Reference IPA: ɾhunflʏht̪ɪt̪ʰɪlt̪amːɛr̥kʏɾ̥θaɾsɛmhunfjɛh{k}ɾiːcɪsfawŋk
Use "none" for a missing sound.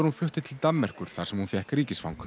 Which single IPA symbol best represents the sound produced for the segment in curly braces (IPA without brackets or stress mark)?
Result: k